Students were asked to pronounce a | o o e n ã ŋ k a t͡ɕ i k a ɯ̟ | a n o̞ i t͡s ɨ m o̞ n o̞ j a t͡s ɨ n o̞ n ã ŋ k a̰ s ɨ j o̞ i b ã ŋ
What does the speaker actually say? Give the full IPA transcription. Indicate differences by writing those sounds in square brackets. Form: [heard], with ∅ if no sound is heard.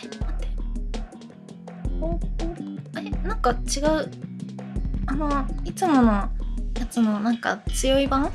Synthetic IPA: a | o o e n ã ŋ k a t͡ɕ i [ɡ] a ɯ̟ | a n o̞ i t͡s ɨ m o̞ n o̞ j a t͡s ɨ n o̞ n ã ŋ k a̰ [t͡s] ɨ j o̞ i b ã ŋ